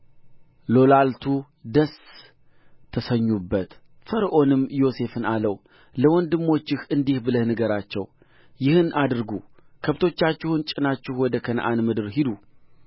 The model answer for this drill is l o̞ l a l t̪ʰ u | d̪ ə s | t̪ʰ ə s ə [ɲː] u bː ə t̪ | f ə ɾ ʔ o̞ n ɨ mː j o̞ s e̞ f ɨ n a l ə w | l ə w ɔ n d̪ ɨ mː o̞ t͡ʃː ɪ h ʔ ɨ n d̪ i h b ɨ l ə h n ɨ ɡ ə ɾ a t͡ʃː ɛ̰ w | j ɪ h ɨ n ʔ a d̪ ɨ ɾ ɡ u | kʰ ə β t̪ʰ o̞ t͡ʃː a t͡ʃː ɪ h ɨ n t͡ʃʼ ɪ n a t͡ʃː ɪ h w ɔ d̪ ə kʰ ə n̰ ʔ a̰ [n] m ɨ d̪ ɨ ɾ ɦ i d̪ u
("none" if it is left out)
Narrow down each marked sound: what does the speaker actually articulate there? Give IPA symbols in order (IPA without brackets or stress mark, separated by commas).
ɲː, n